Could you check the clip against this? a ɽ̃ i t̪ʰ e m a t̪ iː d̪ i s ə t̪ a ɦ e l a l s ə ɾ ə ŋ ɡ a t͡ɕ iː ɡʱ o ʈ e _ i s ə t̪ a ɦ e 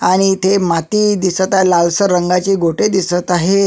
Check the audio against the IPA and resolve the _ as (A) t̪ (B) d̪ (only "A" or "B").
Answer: B